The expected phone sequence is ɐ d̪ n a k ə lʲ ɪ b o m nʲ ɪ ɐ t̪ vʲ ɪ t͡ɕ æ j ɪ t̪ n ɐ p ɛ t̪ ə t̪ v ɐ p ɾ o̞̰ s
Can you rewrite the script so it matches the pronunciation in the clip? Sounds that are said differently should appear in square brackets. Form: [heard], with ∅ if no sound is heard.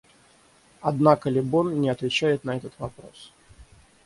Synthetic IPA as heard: ɐ d̪ n a k ə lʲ ɪ b o [n] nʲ ɪ ɐ t̪ vʲ ɪ t͡ɕ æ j ɪ t̪ n ɐ [∅] ɛ t̪ ə t̪ v ɐ p ɾ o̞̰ s